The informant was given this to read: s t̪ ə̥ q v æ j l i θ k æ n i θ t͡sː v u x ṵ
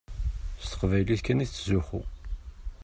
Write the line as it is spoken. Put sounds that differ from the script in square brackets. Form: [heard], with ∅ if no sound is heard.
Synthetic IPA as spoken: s t̪ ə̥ q v æ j l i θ k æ n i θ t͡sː [z] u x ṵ